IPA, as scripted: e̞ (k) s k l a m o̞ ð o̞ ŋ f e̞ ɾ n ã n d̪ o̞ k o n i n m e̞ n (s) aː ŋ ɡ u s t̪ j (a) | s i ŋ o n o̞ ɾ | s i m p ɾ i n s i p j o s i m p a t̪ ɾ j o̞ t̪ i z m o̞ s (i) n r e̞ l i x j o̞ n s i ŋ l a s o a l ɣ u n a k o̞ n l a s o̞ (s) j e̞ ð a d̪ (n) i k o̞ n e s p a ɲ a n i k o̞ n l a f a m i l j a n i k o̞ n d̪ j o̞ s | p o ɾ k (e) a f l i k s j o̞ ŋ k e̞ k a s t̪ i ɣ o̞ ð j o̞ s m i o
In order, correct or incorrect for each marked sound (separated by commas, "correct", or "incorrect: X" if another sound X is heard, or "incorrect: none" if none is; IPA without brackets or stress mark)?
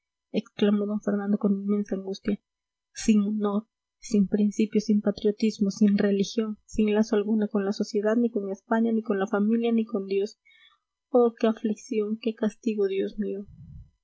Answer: correct, correct, correct, correct, correct, correct, correct